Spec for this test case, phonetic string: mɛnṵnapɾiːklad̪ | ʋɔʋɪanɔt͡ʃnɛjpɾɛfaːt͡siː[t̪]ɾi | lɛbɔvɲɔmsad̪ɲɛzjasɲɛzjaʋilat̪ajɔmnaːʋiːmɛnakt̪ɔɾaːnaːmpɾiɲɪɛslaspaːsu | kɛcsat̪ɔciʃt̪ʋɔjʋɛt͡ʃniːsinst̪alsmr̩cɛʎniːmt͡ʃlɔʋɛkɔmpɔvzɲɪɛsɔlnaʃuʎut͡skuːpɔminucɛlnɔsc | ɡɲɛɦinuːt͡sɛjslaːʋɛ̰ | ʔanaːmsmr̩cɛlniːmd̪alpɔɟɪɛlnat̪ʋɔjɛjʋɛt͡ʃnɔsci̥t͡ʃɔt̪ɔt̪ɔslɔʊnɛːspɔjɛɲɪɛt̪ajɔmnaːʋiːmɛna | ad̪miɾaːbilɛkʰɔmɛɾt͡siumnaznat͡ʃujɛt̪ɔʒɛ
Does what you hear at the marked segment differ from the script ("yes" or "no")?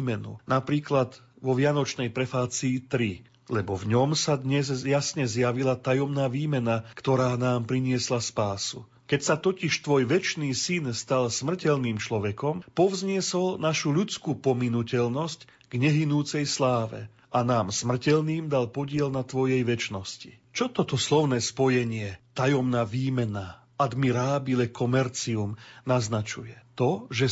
no